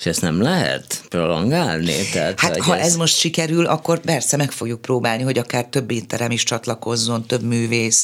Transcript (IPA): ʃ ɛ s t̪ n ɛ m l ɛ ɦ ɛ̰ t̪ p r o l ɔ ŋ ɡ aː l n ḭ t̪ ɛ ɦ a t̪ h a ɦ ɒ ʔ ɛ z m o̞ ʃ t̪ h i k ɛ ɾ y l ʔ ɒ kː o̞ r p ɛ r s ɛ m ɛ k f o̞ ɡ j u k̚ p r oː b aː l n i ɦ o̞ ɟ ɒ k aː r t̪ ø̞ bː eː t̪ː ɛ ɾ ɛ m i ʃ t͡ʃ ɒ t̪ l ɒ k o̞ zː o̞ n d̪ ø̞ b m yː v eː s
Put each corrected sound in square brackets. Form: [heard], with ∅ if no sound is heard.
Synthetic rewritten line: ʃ ɛ s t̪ n ɛ m l ɛ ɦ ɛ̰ t̪ p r o l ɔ ŋ ɡ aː l n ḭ t̪ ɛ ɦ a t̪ h a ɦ ɒ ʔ ɛ z m o̞ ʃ t̪ [ʃ] i k ɛ ɾ y l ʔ ɒ kː o̞ r p ɛ r s ɛ m ɛ k f o̞ ɡ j u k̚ p r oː b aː l n i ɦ o̞ ɟ ɒ k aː r t̪ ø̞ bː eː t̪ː ɛ ɾ ɛ m i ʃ t͡ʃ ɒ t̪ l ɒ k o̞ zː o̞ n [t̪] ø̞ b m yː v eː s